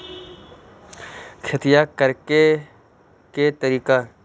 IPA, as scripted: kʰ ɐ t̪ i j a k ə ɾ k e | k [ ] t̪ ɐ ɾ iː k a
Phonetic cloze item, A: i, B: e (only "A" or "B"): B